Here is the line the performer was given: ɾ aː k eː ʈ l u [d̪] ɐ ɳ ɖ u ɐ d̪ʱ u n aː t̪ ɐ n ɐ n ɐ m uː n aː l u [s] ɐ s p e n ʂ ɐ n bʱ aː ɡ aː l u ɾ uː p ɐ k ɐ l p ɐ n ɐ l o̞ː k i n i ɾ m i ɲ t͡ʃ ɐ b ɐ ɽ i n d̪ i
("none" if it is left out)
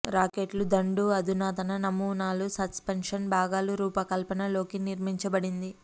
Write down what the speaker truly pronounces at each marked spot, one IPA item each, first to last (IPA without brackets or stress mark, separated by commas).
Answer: d̪, s